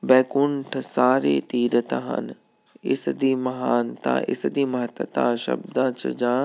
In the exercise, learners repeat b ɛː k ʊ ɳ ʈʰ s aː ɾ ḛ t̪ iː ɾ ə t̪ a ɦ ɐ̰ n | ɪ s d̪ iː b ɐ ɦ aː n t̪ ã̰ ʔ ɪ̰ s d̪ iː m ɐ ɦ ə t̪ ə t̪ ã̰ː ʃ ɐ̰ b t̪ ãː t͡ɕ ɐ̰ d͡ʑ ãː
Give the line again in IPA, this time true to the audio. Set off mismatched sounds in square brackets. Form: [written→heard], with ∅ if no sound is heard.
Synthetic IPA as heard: b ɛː k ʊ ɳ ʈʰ s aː ɾ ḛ t̪ iː ɾ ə t̪ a ɦ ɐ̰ n | ɪ s d̪ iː [b→m] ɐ ɦ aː n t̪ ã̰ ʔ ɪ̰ s d̪ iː m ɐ ɦ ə t̪ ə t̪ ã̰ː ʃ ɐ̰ b [t̪→d̪] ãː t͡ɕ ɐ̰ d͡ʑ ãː

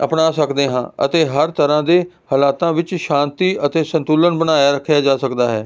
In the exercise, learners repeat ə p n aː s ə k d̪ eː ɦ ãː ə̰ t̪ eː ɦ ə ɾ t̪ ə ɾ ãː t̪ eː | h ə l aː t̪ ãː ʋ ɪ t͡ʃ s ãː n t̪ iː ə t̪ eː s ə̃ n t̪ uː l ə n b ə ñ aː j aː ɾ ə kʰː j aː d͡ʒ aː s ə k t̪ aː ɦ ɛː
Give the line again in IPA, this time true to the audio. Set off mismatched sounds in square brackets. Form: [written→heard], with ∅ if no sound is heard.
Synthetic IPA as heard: ə p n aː s ə k d̪ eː ɦ ãː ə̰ t̪ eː ɦ ə ɾ t̪ ə ɾ ãː [t̪→d̪] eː | h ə l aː t̪ ãː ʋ ɪ t͡ʃ [s→ʃ] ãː n t̪ iː ə t̪ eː s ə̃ n t̪ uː l ə n b ə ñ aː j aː ɾ ə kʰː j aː d͡ʒ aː s ə k [t̪→d̪] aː ɦ ɛː

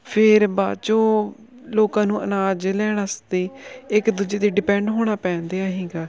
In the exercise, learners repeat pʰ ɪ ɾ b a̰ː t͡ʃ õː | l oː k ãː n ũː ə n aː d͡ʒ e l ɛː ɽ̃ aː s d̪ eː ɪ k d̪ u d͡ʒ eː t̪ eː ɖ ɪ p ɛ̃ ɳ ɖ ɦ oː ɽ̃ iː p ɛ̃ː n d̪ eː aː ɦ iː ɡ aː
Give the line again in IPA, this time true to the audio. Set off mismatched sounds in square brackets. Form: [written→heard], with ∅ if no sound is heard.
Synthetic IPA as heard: pʰ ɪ ɾ b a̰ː t͡ʃ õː | l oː k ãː n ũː ə n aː d͡ʒ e l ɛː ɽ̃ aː s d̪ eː ɪ k d̪ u d͡ʒ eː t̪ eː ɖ ɪ p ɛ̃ ɳ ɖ ɦ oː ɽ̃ [iː→aː] p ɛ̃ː n d̪ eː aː ɦ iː ɡ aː

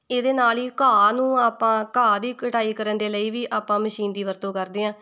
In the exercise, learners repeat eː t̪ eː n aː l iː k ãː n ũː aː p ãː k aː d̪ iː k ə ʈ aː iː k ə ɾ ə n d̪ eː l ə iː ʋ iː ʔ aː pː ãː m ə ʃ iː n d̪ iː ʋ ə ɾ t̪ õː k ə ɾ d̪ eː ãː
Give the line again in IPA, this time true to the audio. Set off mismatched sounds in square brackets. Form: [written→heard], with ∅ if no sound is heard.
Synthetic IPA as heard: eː [t̪→d̪] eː n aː l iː k [ãː→aː] n ũː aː p ãː k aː d̪ iː k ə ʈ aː iː k ə ɾ ə n d̪ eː l ə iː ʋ iː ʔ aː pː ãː m ə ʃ iː n d̪ iː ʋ ə ɾ t̪ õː k ə ɾ d̪ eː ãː

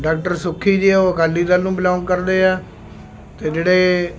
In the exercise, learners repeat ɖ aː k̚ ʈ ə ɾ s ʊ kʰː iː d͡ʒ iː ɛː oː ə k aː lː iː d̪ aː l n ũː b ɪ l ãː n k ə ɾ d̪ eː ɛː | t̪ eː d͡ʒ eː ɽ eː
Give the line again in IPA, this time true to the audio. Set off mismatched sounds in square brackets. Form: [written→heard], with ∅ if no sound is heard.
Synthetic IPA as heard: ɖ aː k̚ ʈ ə ɾ s ʊ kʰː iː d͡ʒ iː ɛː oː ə k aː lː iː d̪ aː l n ũː b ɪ l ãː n k ə ɾ d̪ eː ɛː | t̪ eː d͡ʒ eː ɽ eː

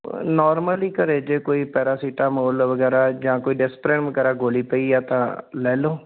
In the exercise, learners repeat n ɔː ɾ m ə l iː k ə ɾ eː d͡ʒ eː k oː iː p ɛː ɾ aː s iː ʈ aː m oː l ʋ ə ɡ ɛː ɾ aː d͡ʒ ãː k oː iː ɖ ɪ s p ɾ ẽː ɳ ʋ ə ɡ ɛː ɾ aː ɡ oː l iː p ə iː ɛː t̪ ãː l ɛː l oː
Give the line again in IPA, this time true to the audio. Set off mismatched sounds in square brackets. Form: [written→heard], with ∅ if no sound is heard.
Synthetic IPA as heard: n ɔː ɾ m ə l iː k ə ɾ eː d͡ʒ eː k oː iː p ɛː ɾ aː s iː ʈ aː m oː l ʋ ə ɡ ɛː ɾ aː d͡ʒ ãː k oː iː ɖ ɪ s p ɾ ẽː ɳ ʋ ə ɡ ɛː ɾ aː ɡ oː l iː p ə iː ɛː t̪ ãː l ɛː l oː

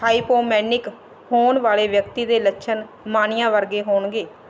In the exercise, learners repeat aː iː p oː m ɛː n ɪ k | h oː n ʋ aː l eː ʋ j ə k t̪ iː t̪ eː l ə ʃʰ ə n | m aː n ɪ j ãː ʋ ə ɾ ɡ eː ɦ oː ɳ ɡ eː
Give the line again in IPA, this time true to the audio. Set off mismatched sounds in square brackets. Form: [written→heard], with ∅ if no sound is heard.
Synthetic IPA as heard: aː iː p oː m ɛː n ɪ k | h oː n ʋ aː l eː ʋ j ə k t̪ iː [t̪→d̪] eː l ə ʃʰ ə n | m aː n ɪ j ãː ʋ ə ɾ ɡ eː ɦ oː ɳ ɡ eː

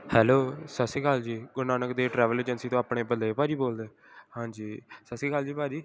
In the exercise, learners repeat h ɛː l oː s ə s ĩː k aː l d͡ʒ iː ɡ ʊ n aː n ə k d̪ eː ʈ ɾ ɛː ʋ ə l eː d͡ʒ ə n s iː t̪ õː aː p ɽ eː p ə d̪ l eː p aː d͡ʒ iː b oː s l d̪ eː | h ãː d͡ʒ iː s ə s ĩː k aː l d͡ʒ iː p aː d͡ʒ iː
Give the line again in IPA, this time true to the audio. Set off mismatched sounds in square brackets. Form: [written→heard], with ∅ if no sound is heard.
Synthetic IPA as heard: h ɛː l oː s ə s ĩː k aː l d͡ʒ iː ɡ ʊ n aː n ə k d̪ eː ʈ ɾ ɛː ʋ ə l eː d͡ʒ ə n s iː t̪ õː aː p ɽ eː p ə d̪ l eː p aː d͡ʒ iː b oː [s→∅] l d̪ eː | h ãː d͡ʒ iː s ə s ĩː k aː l d͡ʒ iː p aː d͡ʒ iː

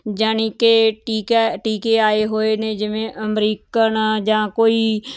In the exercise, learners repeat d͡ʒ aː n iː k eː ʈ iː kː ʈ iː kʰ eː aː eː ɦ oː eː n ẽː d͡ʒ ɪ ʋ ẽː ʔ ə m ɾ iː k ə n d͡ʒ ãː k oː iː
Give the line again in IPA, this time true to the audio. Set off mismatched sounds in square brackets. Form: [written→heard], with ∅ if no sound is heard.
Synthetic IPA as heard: d͡ʒ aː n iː k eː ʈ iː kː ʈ iː [kʰ→k] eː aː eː ɦ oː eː n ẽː d͡ʒ ɪ ʋ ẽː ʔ ə m ɾ iː k ə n d͡ʒ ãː k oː iː

